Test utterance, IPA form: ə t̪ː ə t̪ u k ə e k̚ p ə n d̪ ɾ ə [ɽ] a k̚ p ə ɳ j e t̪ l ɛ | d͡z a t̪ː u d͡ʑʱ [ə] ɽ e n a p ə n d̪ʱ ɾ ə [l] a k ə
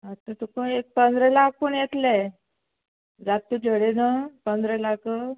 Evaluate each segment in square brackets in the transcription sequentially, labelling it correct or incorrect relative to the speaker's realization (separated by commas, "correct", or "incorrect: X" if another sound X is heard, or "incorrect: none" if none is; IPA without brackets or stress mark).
incorrect: l, correct, correct